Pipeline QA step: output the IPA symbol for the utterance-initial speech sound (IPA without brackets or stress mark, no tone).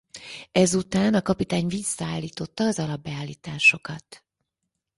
ɛ